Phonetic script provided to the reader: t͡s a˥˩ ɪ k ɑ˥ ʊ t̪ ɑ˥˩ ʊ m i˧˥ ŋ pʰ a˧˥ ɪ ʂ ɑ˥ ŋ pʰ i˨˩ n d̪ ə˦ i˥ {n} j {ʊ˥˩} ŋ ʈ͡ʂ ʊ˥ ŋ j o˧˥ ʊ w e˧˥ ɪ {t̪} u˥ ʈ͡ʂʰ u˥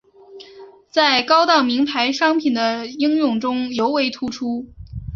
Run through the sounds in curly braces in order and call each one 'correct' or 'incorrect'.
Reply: incorrect: ŋ, correct, incorrect: t̪ʰ

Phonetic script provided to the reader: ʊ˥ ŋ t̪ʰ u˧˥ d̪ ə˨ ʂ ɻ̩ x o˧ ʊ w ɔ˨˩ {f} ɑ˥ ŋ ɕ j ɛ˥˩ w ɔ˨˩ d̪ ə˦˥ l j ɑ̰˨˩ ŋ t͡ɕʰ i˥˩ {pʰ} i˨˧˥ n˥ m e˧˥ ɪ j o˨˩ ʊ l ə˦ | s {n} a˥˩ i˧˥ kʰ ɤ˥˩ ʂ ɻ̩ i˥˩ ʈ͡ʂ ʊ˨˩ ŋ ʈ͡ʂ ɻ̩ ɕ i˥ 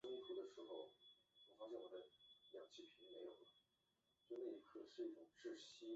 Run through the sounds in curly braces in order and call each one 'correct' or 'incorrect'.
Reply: correct, correct, correct

